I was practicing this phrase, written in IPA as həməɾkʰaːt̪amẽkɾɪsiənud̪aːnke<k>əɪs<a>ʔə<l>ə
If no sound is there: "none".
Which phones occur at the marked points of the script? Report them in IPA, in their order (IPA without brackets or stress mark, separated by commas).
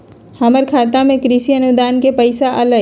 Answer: p, a, l